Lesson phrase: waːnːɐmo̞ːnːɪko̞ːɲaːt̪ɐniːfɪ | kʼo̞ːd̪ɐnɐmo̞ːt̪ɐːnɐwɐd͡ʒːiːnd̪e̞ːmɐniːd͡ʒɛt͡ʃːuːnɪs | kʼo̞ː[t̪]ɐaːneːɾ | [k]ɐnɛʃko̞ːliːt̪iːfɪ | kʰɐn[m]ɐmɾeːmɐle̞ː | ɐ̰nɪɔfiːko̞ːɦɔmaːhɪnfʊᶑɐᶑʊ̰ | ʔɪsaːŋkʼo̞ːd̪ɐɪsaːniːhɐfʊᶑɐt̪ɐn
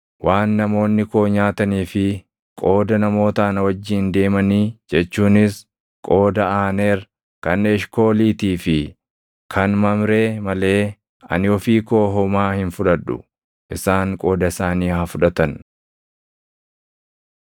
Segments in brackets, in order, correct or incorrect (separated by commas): incorrect, correct, correct